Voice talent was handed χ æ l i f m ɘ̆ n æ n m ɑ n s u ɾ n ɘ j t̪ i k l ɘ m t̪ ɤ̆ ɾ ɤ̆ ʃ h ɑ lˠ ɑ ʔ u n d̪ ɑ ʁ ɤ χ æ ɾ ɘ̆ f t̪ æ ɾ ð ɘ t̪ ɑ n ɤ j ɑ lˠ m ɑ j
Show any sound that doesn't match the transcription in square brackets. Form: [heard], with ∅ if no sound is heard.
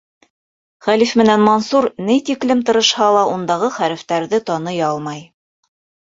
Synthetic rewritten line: χ æ l i f m ɘ̆ n æ n m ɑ n s u ɾ n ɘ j t̪ i k l ɘ m t̪ ɤ̆ ɾ ɤ̆ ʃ h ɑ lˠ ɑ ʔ u n d̪ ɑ ʁ ɤ χ æ ɾ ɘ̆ f t̪ æ ɾ ð ɘ t̪ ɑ n ɤ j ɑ lˠ m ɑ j